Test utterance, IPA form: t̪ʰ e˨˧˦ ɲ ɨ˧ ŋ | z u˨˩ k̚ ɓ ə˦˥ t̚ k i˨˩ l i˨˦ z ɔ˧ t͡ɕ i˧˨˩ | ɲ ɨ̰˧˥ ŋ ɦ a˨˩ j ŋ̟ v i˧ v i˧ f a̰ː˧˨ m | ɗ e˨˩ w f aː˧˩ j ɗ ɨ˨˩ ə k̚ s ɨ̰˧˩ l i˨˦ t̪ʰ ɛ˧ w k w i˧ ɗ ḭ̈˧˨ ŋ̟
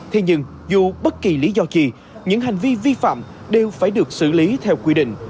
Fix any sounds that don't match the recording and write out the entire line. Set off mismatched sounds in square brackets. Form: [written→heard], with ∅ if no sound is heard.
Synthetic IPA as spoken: t̪ʰ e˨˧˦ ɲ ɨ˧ ŋ | z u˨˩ [k̚→∅] ɓ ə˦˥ t̚ k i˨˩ l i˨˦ z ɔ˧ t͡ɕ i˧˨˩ | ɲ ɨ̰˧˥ ŋ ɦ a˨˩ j ŋ̟ v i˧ v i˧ f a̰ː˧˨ m | ɗ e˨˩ w f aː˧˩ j ɗ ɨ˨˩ ə k̚ s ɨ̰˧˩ l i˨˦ t̪ʰ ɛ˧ w k w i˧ ɗ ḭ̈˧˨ ŋ̟